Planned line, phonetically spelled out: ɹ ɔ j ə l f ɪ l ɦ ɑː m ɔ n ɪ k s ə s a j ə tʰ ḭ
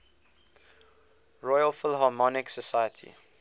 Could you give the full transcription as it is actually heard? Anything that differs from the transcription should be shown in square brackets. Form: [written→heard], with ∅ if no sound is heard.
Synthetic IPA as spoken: ɹ ɔ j ə l f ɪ l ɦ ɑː m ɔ n ɪ k s ə s a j ə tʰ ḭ